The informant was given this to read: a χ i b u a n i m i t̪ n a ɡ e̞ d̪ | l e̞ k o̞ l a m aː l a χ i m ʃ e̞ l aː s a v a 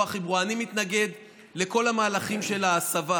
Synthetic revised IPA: a χ i b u a n i m i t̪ n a ɡ e̞ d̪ | l e̞ k o̞ l a m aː l a χ i m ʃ e̞ l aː s a v a